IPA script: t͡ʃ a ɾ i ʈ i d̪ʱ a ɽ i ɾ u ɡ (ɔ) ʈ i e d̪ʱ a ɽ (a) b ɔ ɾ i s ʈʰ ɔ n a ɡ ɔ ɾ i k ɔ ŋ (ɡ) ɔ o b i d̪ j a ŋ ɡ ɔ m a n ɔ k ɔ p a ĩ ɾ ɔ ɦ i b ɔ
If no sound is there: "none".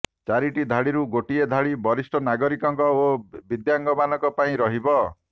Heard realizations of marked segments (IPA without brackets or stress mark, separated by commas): o, i, k